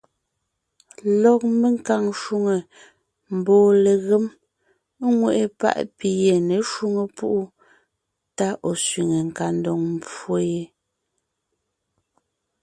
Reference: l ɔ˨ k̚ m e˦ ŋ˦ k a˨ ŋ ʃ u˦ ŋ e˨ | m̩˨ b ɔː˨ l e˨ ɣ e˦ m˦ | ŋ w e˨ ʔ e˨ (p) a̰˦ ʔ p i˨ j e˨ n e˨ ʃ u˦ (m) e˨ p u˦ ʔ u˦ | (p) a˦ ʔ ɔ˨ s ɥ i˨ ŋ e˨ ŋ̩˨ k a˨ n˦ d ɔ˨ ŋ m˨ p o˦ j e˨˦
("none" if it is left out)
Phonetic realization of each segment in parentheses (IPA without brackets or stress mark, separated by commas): p, ŋ, t